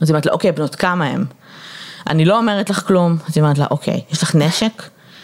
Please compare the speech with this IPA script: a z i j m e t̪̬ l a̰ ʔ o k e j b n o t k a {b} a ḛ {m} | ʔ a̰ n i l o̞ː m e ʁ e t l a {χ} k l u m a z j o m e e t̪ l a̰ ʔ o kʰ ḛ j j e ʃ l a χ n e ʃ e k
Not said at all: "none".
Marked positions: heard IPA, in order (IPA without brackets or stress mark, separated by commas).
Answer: m, m, χ